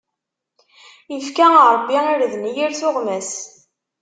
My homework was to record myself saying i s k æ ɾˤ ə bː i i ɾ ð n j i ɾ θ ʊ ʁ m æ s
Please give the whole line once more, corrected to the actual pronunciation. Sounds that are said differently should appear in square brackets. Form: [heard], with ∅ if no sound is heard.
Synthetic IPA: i [f] k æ ɾˤ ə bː i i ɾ ð n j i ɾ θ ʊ ʁ m æ s

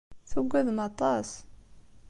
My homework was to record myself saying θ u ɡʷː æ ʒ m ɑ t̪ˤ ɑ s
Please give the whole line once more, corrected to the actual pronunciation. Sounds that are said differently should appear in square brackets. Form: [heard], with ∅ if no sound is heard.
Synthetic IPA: θ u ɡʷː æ [ð] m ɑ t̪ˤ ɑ s

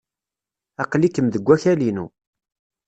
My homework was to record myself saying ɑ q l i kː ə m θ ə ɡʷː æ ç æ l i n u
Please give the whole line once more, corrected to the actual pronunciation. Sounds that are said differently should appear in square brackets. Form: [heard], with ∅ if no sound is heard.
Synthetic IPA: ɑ q l i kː ə m [ð] ə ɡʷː æ ç æ l i n u

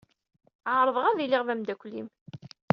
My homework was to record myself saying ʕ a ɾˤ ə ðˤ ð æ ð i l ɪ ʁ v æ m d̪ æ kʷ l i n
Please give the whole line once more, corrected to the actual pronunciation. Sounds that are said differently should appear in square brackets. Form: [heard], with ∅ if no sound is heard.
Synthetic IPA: ʕ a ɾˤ ə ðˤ [ʁ] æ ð i l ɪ ʁ v æ m d̪ æ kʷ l i [m]

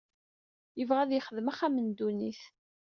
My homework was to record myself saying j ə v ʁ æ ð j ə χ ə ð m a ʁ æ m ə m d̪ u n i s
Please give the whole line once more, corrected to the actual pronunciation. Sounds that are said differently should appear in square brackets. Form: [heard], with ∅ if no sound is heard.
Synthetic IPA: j ə v ʁ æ ð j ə χ ə ð m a [χ] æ m ə [n] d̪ u n i [θ]

